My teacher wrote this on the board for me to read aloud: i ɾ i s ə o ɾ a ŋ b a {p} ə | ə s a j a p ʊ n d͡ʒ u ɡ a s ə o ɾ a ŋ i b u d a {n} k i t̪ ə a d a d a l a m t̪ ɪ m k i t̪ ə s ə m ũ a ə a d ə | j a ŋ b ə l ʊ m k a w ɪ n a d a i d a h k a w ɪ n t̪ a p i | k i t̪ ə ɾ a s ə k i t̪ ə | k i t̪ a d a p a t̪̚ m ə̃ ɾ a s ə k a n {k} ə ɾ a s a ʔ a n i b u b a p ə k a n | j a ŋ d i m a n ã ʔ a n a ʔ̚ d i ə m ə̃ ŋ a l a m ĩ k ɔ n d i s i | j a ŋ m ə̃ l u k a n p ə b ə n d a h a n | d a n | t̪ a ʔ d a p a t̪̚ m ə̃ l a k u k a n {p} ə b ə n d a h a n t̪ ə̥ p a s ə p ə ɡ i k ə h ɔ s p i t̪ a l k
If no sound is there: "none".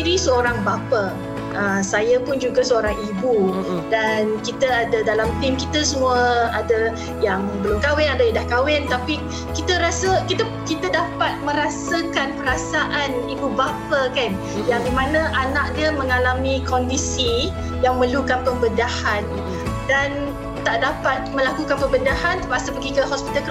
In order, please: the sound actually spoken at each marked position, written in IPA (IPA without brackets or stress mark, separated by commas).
p, n, p, p